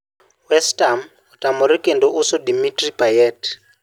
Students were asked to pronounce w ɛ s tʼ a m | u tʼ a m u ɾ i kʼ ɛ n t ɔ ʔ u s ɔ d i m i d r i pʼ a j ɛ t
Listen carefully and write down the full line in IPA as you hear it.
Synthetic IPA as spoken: w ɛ s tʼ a m | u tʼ a m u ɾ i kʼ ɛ n d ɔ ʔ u s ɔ d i m i t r i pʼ a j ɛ t